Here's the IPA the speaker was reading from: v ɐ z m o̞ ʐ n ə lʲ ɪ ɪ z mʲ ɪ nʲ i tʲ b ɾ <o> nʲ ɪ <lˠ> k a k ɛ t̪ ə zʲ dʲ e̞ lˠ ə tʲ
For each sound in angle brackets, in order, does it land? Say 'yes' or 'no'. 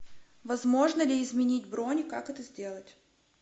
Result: yes, no

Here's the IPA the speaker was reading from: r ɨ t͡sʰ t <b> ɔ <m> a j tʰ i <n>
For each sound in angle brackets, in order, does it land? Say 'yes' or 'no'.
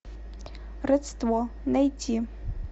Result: no, no, no

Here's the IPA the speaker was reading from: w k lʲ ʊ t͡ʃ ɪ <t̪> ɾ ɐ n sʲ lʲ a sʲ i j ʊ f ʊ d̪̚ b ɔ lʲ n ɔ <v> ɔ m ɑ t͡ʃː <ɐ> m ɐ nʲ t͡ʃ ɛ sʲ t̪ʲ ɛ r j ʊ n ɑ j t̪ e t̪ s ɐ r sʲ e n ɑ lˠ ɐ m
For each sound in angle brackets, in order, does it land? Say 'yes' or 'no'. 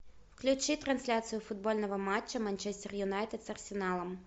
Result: yes, no, yes

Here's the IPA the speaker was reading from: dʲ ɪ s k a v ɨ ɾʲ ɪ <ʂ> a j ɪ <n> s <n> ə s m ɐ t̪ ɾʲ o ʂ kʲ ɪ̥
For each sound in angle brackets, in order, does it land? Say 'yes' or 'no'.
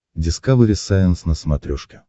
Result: no, yes, yes

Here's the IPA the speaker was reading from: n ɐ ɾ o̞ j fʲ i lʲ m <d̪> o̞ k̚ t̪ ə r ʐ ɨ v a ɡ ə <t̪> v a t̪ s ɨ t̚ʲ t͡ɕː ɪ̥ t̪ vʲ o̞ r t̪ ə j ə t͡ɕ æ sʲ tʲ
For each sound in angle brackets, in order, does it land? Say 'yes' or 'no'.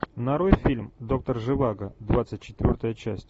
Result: yes, no

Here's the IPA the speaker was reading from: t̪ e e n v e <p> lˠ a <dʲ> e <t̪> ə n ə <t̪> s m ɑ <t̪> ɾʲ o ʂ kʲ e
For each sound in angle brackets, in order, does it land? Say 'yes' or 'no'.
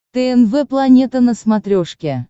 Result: yes, no, yes, no, yes

